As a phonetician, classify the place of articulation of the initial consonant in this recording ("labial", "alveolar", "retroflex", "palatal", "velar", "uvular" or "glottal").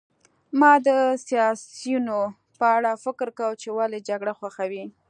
labial